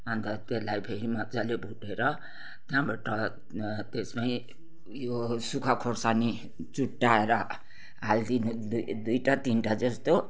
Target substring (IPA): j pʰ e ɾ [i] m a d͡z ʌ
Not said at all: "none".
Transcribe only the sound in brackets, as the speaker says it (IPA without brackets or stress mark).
i